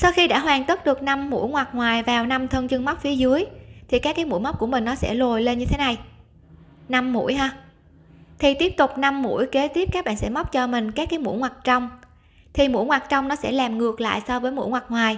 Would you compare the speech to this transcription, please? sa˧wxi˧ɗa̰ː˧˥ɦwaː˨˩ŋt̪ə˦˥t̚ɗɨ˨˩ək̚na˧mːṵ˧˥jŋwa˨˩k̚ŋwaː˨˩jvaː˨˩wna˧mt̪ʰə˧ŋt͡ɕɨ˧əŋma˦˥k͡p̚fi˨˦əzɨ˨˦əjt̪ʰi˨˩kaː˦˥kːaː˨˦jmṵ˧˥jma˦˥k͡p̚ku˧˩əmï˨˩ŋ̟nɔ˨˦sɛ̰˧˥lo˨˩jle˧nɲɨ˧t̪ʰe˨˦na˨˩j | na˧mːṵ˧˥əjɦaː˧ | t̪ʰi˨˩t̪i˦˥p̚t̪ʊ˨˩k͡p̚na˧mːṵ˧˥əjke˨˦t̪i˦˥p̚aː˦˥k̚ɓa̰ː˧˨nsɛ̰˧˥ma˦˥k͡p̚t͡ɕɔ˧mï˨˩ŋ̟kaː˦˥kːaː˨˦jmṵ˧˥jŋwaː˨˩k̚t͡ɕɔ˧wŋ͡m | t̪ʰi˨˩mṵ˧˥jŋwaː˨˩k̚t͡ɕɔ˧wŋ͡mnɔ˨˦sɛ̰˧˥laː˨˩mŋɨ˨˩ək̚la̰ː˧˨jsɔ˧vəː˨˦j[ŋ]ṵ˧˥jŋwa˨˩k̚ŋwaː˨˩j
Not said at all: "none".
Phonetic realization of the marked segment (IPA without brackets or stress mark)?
m